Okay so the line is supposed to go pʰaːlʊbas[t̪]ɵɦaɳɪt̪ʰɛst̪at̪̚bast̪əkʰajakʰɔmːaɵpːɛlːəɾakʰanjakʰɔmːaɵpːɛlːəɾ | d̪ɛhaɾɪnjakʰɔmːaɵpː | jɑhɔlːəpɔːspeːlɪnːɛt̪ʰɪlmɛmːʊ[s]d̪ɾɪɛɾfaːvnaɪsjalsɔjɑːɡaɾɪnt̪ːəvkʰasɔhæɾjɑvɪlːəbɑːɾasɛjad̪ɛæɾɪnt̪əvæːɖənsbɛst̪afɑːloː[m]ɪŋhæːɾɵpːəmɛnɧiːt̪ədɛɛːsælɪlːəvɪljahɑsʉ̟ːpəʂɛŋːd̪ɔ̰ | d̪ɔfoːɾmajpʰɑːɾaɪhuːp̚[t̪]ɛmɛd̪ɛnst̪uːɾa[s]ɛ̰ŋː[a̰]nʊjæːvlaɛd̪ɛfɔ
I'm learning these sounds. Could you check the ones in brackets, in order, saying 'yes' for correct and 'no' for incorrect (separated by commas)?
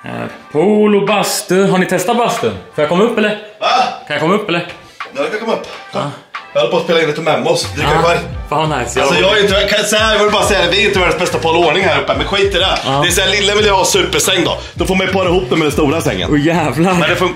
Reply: yes, yes, no, no, yes, no